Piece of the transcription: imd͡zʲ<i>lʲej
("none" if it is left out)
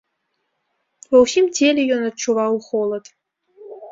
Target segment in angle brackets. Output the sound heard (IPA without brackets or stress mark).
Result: e